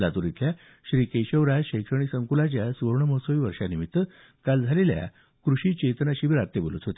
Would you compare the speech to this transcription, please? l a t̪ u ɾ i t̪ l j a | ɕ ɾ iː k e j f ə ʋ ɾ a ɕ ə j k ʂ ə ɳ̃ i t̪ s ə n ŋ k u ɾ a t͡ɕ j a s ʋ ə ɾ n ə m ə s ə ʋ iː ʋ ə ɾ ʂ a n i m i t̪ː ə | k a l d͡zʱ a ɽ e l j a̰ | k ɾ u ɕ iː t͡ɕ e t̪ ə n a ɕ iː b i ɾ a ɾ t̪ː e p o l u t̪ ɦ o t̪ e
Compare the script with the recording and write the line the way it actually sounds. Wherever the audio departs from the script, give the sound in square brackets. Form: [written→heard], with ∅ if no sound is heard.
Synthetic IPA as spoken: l a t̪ u ɾ i t̪ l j a | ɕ ɾ iː k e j [f→ɕ] ə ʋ ɾ a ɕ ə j k ʂ ə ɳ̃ i [t̪→∅] s ə [n→∅] ŋ k u [ɾ→l] a t͡ɕ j a s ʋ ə ɾ [n→ɳ] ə m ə s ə ʋ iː ʋ ə ɾ ʂ a n i m i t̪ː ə | k a l d͡zʱ a [ɽ→l] e l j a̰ | k ɾ u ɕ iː t͡ɕ e t̪ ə n a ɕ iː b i ɾ a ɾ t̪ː e [p→b] o l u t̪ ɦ o t̪ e